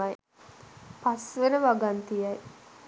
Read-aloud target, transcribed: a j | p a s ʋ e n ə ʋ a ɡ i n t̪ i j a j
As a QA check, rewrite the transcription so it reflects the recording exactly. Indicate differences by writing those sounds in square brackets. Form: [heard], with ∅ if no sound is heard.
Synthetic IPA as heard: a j | p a s ʋ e n ə ʋ a ɡ [a] n t̪ i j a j